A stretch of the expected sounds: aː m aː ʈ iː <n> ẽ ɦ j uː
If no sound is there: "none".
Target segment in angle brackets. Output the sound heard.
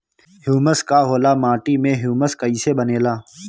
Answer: m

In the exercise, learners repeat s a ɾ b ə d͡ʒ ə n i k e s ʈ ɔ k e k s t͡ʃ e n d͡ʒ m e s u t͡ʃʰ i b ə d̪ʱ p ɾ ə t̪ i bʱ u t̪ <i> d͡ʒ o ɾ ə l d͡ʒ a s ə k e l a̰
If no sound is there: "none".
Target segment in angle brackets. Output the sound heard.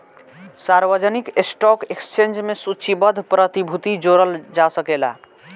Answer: i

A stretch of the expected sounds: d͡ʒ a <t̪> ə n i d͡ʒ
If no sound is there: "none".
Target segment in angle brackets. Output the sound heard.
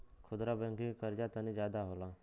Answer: t̪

